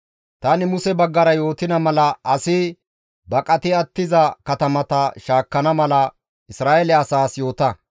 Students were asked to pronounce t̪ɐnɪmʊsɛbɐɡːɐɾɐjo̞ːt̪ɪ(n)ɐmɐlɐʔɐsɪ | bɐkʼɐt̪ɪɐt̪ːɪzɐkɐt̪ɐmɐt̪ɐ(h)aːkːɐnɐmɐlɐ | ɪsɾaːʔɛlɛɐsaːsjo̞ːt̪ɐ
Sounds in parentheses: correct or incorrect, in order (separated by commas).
correct, incorrect